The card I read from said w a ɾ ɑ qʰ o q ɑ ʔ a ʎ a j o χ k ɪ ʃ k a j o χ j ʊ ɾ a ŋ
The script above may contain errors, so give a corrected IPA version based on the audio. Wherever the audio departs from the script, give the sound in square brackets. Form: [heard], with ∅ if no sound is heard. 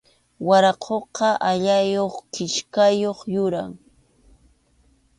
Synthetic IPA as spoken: w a ɾ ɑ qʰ o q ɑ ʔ a ʎ a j o χ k ɪ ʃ k a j o χ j ʊ ɾ a ŋ

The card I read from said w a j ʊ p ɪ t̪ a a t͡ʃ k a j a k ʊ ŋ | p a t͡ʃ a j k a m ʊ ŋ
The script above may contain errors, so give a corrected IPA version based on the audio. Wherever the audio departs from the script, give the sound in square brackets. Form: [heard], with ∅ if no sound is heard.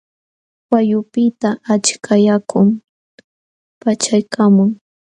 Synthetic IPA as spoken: w a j ʊ p ɪ t̪ a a t͡ʃ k a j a k ʊ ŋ | p a t͡ʃ a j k a m ʊ ŋ

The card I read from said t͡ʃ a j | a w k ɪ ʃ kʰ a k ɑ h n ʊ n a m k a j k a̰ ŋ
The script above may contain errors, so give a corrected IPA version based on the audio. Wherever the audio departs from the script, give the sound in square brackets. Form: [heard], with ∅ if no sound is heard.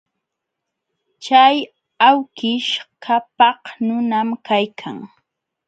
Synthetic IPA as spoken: t͡ʃ a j | a w k ɪ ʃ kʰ a [p] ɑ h n ʊ n a m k a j [kʰ] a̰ ŋ

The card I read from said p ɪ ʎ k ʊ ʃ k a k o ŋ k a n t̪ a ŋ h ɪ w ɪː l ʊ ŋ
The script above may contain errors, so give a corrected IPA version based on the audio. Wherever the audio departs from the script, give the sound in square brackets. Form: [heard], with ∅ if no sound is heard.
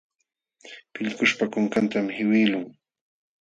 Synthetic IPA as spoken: p ɪ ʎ k ʊ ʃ [p] a k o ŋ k a n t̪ a [m] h ɪ w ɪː l ʊ ŋ

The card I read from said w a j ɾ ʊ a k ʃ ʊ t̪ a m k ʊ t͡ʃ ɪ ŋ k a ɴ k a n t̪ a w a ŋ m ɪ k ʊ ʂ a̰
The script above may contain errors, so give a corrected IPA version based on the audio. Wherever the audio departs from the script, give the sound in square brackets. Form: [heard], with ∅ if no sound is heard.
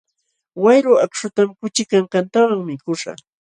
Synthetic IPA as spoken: w a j ɾ ʊ a k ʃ ʊ t̪ a m k ʊ t͡ʃ ɪ [∅] k a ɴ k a n t̪ a w a ŋ m ɪ k ʊ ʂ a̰

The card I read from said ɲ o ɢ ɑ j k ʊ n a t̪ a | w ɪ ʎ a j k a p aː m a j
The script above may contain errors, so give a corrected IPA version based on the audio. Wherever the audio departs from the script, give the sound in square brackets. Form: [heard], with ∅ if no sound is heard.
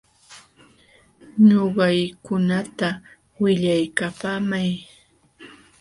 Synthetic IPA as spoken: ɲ o ɢ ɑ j k ʊ n a t̪ a | w ɪ ʎ a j k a p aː m a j

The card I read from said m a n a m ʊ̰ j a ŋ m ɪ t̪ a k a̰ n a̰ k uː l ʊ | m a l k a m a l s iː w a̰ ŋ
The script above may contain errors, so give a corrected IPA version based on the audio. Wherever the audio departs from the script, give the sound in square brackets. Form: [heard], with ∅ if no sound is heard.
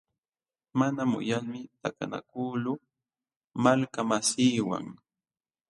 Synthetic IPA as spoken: m a n a m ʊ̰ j a ŋ m ɪ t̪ a k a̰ n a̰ k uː l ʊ | m a l k a m a [∅] s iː w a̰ ŋ

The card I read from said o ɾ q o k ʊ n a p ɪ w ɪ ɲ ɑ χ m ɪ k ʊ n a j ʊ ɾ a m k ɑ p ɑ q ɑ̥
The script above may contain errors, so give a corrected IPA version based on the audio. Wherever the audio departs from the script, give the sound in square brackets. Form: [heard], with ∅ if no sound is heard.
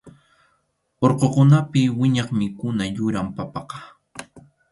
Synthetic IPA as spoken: o ɾ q o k ʊ n a p ɪ w ɪ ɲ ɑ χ m ɪ k ʊ n a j ʊ ɾ a m [p] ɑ p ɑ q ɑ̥

